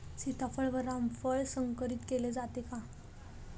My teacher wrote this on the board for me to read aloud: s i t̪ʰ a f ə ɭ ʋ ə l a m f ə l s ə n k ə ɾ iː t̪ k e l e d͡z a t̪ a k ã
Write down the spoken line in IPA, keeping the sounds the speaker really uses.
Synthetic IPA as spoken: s i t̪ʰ a f ə ɭ ʋ ə ɾ a m f ə ɭ s ə ŋ k ə ɾ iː t̪ k e l e d͡z a t̪ e k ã